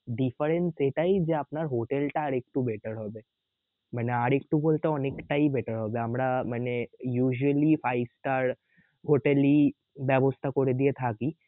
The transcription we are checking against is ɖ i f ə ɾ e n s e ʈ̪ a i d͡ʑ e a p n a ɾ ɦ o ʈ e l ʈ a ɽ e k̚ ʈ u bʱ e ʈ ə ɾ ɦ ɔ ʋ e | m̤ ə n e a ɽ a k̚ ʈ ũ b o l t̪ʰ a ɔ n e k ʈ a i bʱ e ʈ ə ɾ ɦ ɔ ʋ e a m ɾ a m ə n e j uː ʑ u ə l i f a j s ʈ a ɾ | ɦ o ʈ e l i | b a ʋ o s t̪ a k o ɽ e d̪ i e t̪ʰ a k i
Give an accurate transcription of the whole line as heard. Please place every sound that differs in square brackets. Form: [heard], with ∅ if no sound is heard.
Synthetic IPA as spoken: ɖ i f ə ɾ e n s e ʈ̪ a i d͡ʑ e a p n a ɾ ɦ o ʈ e l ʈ a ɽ e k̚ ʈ u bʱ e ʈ ə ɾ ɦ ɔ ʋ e | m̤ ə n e a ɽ [e] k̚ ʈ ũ b o l [t̪] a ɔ n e k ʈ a i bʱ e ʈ ə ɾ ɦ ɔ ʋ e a m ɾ a m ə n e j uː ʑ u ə l i f a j s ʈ a ɾ | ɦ o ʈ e l i | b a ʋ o s t̪ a k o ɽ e d̪ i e t̪ʰ a k i